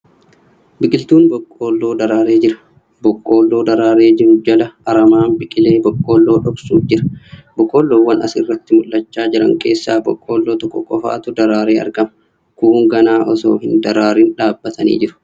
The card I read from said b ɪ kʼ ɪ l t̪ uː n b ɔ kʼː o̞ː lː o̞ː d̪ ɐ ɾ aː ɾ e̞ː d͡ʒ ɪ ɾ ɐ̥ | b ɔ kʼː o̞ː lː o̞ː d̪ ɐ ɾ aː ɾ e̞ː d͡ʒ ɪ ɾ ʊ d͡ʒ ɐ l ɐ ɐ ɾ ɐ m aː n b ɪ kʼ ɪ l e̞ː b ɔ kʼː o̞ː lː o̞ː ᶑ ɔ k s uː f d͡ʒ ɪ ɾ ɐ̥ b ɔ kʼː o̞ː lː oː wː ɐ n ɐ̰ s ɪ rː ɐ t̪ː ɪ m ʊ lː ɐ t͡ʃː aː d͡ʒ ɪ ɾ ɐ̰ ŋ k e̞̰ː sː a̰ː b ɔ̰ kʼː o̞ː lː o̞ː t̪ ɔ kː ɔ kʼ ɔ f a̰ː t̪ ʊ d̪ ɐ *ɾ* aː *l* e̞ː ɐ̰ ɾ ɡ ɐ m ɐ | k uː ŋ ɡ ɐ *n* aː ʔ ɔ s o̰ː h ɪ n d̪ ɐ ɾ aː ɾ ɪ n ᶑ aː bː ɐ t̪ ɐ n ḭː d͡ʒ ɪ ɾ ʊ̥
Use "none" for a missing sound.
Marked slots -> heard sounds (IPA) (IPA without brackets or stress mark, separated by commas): ɾ, ɾ, n